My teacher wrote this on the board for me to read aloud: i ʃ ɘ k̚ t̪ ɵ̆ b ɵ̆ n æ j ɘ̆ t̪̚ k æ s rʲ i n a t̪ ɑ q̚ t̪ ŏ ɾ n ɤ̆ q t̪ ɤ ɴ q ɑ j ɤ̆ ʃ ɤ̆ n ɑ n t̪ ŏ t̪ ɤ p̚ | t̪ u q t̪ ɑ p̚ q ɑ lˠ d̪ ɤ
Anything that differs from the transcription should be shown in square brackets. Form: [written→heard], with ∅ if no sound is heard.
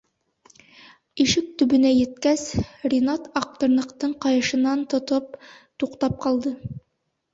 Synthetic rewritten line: i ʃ ɘ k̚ t̪ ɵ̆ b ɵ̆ n æ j ɘ̆ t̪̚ k æ s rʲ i n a t̪ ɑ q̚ t̪ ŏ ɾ n ɤ̆ q t̪ ɤ ɴ q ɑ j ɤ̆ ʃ ɤ̆ n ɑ n t̪ ŏ t̪ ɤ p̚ | t̪ u q t̪ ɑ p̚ q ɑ lˠ d̪ ɤ